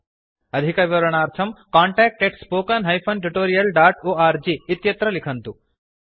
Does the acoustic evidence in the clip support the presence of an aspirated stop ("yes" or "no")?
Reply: yes